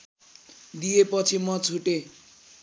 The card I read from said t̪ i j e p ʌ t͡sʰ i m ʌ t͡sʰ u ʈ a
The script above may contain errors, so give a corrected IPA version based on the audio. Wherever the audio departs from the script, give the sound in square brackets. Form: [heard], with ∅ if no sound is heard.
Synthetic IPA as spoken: [d̪] i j e p ʌ t͡sʰ i m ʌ t͡sʰ u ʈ [e]